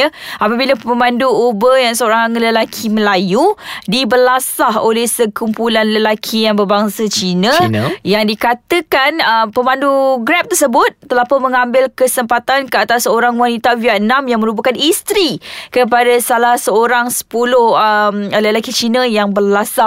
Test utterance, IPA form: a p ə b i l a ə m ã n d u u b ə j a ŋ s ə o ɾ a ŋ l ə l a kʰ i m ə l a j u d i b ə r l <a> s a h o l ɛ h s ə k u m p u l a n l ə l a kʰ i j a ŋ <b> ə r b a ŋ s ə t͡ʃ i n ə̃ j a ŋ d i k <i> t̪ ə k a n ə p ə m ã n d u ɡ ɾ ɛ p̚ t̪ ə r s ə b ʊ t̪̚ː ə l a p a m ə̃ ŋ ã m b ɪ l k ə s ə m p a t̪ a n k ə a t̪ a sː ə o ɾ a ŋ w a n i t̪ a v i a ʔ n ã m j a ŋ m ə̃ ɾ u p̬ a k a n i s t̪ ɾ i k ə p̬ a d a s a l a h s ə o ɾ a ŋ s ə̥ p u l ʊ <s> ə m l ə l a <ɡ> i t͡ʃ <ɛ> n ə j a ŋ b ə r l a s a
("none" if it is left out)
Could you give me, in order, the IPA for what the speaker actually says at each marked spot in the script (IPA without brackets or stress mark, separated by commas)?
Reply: a, b, a, h, k, i